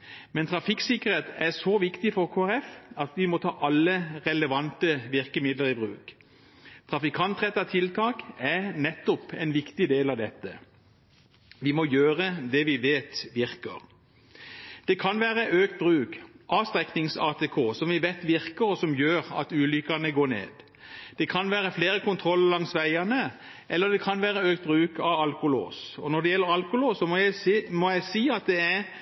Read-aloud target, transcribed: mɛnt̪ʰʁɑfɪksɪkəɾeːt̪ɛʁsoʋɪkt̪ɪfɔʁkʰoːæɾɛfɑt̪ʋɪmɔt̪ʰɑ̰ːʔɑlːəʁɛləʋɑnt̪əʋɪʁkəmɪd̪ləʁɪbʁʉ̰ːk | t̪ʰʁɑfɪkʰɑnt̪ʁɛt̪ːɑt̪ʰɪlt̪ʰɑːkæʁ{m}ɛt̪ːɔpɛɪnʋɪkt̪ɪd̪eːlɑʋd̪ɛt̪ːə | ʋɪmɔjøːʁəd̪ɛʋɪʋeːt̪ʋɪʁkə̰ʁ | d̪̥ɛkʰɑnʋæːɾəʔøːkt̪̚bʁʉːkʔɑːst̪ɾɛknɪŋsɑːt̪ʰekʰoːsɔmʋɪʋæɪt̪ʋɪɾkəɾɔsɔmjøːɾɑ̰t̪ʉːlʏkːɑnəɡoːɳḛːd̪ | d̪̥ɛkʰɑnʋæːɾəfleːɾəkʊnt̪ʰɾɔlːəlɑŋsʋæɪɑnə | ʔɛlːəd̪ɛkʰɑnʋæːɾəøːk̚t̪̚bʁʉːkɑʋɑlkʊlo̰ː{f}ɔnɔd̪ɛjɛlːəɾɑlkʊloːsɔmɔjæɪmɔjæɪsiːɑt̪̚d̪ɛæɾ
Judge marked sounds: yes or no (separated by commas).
no, no